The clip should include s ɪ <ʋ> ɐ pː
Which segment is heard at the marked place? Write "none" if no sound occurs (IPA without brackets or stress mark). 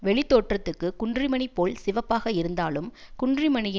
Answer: ʋ